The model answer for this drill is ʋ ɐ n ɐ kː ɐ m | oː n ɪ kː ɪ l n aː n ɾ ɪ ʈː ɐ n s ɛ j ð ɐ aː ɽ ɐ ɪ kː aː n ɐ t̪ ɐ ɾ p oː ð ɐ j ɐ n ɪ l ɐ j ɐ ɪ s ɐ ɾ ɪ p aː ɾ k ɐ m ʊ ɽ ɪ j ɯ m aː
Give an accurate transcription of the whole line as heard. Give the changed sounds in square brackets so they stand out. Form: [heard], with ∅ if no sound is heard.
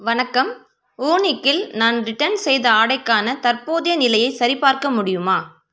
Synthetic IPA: ʋ ɐ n ɐ kː ɐ m | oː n ɪ kː ɪ l n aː n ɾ ɪ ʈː ɐ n s ɛ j ð ɐ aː ɽ ɐ ɪ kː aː n ɐ t̪ ɐ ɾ p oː ð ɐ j ɐ n ɪ l ɐ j ɐ ɪ s ɐ ɾ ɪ p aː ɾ k ɐ m ʊ ɽ ɪ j ɯ m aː